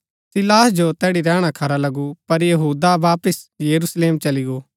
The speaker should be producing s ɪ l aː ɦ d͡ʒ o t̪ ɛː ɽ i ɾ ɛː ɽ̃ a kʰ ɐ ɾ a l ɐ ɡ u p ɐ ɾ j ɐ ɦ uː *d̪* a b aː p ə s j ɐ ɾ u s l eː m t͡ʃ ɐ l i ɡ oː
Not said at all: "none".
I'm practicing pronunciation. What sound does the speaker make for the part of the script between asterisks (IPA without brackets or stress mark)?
d̪